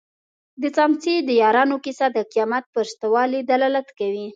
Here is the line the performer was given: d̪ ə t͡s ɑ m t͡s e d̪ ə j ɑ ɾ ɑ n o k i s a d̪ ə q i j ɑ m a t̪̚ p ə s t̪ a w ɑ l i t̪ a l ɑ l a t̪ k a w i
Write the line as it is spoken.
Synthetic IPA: d̪ ə t͡s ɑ m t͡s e d̪ ə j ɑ ɾ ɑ n o k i s a d̪ ə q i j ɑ m a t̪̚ p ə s t̪ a w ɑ l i d̪ a l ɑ l a t̪ k a w i